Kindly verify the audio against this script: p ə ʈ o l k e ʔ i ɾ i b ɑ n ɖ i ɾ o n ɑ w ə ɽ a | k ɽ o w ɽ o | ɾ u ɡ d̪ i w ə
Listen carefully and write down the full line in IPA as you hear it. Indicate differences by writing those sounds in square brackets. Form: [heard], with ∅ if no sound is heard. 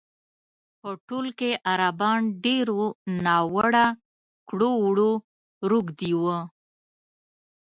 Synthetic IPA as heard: p ə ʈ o l k e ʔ [a] ɾ [a] b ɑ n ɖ [e] ɾ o n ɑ w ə ɽ a | k ɽ o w ɽ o | ɾ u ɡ d̪ i w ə